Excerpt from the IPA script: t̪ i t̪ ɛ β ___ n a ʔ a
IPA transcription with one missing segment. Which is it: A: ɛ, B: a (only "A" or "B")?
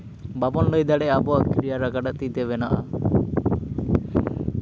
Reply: A